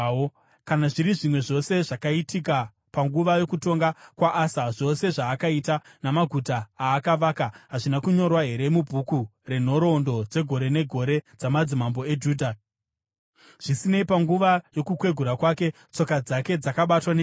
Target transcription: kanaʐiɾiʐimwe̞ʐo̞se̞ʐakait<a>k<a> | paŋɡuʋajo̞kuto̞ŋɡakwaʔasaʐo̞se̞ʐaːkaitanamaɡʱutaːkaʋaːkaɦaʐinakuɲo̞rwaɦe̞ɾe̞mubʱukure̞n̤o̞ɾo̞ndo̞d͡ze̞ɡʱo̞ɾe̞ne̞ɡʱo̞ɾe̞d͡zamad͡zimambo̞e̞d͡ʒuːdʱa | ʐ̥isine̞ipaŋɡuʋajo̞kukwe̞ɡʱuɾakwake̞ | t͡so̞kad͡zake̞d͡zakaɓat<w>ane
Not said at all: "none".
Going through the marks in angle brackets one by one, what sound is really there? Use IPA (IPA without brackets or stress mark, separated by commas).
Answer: i, a, w